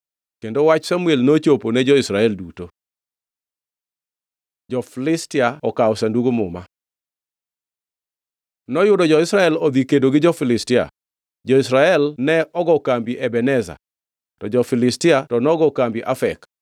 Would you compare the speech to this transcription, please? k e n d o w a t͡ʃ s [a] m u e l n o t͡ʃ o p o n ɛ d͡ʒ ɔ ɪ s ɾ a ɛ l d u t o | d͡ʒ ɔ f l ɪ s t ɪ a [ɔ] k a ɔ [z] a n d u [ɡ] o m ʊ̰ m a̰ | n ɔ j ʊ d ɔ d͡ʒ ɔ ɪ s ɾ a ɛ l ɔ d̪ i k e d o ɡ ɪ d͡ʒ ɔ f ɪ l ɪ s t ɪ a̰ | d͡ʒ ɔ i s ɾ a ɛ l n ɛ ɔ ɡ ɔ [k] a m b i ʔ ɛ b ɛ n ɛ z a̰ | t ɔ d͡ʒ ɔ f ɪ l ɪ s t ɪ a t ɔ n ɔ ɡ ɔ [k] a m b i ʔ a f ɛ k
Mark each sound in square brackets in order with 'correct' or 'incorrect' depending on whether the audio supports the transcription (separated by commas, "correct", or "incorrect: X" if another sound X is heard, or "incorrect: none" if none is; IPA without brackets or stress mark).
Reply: correct, correct, incorrect: s, correct, correct, correct